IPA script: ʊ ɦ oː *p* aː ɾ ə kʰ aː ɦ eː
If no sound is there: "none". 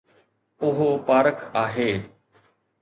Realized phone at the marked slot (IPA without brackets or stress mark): p